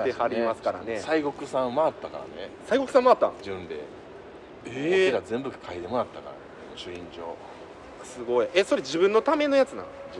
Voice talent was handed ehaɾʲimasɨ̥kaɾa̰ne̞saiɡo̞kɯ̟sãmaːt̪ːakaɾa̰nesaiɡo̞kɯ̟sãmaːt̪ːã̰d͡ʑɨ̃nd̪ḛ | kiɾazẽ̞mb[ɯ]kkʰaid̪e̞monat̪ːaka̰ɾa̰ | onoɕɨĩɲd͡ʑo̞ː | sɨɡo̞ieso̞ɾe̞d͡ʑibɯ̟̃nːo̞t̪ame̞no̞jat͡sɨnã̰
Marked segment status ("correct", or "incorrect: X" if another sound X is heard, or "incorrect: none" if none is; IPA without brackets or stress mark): correct